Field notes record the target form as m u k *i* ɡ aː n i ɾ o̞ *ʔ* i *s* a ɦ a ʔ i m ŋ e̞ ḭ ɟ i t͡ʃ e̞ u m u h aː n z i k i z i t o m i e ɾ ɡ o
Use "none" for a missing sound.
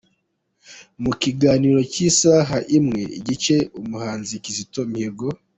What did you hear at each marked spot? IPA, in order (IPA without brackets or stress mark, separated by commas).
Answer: i, c, s